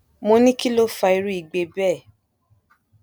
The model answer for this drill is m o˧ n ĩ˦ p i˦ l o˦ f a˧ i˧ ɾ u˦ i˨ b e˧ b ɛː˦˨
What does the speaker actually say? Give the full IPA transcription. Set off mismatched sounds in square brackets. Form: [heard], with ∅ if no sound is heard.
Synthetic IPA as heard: m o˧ n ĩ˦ [k] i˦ l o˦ f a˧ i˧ ɾ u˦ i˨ [ɡ͡b] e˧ b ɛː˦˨